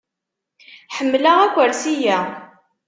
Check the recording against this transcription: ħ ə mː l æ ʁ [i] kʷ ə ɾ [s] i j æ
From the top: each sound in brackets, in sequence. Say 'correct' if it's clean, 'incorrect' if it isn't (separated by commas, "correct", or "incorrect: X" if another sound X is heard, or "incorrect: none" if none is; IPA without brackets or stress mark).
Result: incorrect: æ, correct